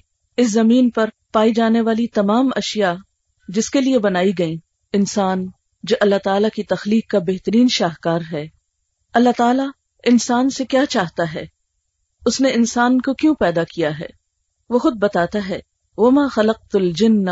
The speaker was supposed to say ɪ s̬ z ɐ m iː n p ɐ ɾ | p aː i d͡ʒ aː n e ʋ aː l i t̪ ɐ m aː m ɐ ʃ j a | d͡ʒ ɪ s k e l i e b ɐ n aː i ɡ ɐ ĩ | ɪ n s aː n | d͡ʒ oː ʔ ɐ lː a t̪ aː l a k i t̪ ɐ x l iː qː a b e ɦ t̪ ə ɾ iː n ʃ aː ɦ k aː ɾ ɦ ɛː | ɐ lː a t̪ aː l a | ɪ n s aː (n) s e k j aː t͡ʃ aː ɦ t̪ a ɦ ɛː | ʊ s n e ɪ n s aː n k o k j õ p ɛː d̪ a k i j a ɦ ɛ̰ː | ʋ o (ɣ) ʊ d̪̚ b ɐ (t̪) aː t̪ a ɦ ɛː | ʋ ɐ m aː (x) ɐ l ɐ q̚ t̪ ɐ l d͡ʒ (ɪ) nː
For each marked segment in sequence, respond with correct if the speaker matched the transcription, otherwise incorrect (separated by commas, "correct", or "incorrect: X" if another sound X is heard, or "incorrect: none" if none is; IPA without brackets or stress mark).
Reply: correct, incorrect: x, correct, correct, correct